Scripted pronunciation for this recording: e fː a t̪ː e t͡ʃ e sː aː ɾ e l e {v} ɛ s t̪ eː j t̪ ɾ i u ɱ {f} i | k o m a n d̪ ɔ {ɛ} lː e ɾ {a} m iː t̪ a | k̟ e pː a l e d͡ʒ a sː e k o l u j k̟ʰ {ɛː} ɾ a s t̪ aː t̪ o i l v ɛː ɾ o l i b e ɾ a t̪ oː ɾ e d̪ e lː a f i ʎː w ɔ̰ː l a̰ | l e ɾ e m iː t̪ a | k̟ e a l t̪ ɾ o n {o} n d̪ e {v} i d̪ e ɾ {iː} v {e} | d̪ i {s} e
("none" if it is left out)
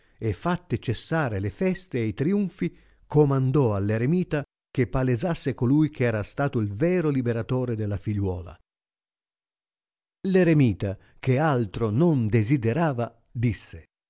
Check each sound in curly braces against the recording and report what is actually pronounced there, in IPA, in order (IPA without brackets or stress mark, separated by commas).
f, f, a, e, ɛː, o, z, aː, a, sː